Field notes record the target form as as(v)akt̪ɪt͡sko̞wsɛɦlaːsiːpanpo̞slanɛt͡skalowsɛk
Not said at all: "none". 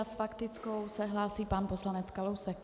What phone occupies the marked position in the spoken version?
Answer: f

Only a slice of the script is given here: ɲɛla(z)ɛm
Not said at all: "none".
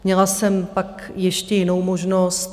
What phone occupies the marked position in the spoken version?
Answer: s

